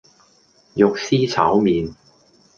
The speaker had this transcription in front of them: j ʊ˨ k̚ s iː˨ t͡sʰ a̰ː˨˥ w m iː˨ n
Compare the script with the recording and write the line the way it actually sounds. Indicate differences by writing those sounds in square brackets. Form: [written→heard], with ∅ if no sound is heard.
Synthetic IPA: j ʊ˨ k̚ s [iː˨→iː˥] t͡sʰ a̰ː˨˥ w m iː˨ n